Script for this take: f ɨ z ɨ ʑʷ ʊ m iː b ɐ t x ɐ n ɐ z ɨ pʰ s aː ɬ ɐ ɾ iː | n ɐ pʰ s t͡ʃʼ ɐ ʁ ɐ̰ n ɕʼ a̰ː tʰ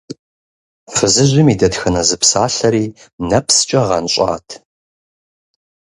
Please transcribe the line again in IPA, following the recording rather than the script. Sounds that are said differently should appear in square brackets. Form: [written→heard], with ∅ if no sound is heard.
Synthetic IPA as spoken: f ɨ z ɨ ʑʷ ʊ m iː [b→d] ɐ t x ɐ n ɐ z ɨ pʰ s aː ɬ ɐ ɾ iː | n ɐ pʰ s t͡ʃʼ ɐ ʁ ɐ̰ n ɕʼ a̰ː tʰ